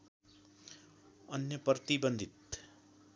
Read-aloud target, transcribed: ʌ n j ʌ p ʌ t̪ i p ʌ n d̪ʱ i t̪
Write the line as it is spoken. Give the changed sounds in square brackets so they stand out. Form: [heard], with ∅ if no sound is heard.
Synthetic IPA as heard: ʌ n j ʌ p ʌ t̪ i [b] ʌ n d̪ʱ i t̪

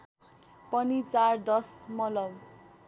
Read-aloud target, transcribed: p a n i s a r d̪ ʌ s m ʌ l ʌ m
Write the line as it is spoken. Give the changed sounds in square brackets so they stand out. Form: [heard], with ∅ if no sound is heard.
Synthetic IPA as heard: p [ʌ] n i [t͡s] a r d̪ ʌ s m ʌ l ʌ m

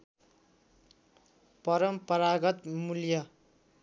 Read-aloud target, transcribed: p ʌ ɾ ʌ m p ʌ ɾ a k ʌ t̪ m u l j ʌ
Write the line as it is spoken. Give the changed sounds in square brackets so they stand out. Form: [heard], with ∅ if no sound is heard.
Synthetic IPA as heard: p ʌ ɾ ʌ m p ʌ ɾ a [ɡ] ʌ t̪ m u l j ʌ

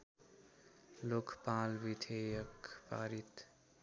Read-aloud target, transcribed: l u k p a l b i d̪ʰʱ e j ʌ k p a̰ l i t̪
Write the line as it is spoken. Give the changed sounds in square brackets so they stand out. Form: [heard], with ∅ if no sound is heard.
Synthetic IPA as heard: l [o] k p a l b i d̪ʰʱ e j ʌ k p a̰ [ɾ] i t̪

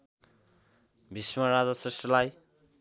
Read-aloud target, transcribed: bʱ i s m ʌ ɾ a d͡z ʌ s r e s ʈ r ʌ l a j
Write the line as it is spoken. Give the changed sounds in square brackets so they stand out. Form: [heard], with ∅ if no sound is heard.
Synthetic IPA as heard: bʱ i s m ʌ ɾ a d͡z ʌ s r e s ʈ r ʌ l a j

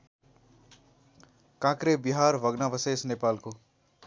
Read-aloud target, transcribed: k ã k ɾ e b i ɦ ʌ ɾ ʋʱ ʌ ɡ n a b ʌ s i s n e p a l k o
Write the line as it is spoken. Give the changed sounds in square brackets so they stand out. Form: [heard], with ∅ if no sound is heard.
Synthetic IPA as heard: k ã k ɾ e b i ɦ [a] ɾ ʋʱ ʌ ɡ n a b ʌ s [e] s n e p a l k o

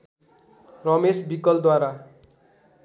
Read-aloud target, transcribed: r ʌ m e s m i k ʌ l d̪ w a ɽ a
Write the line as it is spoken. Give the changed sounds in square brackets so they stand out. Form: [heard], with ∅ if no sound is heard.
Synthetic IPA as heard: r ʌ m e s [b] i k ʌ l d̪ w a [ɾ] a

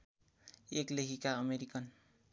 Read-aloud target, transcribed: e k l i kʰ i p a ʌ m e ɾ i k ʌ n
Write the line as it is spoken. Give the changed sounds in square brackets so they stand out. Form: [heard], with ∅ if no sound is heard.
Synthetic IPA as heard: e k l [e] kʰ i [k] a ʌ m e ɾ i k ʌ n

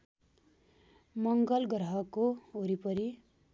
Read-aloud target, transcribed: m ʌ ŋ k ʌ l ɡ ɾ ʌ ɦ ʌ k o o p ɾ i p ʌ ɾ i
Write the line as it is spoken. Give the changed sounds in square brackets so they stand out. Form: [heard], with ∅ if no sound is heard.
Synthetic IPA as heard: m ʌ ŋ [ɡ] ʌ l ɡ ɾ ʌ ɦ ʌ k o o [∅] ɾ i p ʌ ɾ i

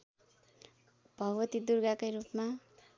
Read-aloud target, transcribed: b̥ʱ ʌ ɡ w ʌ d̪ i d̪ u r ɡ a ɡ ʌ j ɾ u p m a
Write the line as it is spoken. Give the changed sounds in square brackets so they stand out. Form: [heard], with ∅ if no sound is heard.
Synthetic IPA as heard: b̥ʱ ʌ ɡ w ʌ [t̪] i d̪ u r ɡ a [k] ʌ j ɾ u p m a

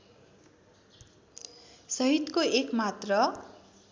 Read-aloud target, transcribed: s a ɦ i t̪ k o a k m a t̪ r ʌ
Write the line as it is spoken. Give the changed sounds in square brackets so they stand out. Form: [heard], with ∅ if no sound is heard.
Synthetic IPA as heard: s [ʌ] ɦ i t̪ k o [e] k m a t̪ r ʌ

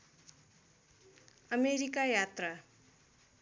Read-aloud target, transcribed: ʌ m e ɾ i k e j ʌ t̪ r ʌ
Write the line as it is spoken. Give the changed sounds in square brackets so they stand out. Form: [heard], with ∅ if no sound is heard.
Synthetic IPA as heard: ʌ m e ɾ i k [a] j [a] t̪ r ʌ

